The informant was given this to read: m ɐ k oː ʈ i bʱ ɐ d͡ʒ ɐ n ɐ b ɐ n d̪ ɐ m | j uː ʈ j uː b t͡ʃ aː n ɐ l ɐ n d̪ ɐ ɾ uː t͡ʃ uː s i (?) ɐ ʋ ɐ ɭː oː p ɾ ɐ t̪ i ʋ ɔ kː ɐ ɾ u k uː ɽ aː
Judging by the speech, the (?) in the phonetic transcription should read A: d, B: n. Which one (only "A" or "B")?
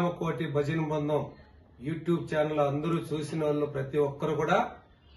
B